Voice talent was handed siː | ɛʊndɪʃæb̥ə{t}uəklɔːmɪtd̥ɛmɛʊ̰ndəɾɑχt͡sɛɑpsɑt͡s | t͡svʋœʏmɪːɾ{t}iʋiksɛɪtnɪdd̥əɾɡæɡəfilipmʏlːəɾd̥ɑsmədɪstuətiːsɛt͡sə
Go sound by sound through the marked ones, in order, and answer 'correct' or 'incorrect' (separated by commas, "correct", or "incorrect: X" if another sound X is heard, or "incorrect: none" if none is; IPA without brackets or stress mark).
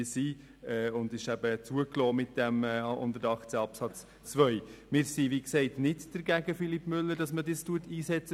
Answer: incorrect: t͡s, incorrect: s